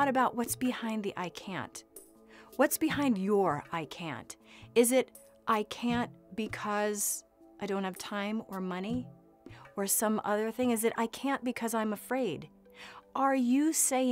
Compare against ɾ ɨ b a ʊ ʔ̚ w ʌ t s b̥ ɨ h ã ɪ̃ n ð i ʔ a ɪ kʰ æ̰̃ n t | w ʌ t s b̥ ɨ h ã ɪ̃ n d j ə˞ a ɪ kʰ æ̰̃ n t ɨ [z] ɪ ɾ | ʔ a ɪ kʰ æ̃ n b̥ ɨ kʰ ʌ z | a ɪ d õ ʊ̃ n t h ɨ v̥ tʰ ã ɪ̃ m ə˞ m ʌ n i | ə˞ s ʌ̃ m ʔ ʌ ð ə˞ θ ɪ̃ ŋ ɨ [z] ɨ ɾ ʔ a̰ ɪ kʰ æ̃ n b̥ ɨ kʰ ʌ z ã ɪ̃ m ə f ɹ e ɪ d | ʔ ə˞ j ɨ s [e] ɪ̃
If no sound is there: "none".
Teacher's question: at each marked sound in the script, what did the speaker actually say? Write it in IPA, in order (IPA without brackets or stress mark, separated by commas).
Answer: z, z, e